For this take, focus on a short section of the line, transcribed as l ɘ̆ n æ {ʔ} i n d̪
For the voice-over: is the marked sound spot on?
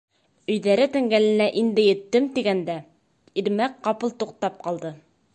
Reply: yes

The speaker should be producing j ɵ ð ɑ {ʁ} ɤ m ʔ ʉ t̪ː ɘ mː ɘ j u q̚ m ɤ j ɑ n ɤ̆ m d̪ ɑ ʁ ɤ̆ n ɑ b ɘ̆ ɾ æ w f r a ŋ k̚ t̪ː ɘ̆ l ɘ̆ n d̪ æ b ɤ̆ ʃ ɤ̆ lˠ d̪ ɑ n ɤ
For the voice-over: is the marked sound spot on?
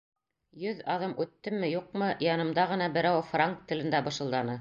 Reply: no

